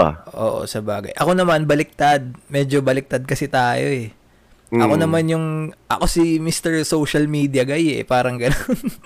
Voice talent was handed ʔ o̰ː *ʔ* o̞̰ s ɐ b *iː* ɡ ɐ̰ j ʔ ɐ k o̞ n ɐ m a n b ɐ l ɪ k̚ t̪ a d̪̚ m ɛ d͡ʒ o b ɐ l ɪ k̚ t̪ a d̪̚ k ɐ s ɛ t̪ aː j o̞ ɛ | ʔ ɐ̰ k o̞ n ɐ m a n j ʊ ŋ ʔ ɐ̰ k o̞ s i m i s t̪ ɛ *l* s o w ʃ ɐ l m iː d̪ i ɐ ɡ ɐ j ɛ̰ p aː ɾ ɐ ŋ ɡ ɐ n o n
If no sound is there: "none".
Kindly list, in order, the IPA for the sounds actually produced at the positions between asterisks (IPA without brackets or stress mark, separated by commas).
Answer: ʔ, aː, ɹ